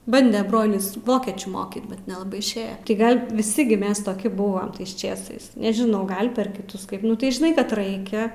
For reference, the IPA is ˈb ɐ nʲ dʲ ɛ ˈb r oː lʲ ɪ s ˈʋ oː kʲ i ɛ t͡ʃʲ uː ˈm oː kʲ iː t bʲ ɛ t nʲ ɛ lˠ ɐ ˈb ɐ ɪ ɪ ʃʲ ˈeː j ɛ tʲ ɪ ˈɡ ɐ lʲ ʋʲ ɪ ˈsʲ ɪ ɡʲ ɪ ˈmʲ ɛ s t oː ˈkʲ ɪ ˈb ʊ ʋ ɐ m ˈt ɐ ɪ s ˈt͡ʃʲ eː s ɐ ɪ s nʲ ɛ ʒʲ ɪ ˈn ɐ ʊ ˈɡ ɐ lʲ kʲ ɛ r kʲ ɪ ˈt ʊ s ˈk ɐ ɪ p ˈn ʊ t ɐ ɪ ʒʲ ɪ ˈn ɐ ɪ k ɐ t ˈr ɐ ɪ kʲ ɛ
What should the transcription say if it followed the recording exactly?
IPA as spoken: ˈb ɐ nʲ dʲ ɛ ˈb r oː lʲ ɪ s ˈʋ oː kʲ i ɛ t͡ʃʲ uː ˈm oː kʲ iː t bʲ ɛ t nʲ ɛ lˠ ɐ ˈb ɐ ɪ ɪ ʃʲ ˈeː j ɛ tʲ ɪ ˈɡ ɐ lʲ ʋʲ ɪ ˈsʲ ɪ ɡʲ ɪ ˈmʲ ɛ s t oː ˈkʲ ɪ ˈb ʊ ʋ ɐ m ˈt ɐ ɪ s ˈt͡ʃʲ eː s ɐ ɪ s nʲ ɛ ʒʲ ɪ ˈn ɐ ʊ ˈɡ ɐ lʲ pʲ ɛ r kʲ ɪ ˈt ʊ s ˈk ɐ ɪ p ˈn ʊ t ɐ ɪ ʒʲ ɪ ˈn ɐ ɪ k ɐ t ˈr ɐ ɪ kʲ ɛ